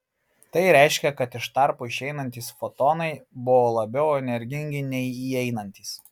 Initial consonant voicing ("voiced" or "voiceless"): voiceless